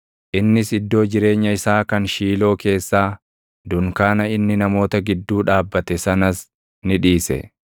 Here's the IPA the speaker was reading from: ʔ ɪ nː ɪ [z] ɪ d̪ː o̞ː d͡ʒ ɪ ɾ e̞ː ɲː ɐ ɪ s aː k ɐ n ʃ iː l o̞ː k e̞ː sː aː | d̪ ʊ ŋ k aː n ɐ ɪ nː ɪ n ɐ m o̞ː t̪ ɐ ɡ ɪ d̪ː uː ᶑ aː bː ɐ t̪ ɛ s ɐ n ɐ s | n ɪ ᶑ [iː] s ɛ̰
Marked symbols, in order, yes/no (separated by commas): no, yes